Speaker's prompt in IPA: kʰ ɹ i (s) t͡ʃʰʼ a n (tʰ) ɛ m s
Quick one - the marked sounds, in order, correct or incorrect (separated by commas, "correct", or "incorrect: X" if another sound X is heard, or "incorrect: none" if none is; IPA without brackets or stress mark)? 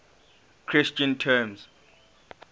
correct, correct